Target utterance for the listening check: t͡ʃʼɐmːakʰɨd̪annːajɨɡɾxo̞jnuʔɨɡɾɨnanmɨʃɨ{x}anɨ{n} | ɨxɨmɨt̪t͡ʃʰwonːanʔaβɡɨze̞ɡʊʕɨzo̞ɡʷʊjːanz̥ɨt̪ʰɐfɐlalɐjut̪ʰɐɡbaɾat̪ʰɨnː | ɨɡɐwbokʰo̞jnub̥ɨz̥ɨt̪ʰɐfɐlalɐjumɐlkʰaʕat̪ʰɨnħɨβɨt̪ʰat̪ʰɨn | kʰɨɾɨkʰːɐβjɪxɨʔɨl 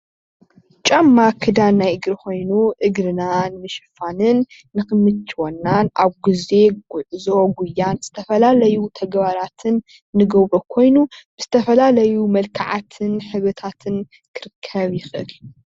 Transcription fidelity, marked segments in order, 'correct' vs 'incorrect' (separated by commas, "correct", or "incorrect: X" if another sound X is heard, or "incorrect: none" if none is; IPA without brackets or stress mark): incorrect: f, incorrect: nː